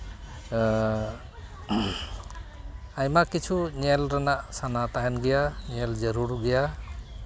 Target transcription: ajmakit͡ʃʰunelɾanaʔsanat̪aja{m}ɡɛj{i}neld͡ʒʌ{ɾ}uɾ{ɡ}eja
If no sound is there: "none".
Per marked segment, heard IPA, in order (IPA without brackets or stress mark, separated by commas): n, a, ɾ, ɡ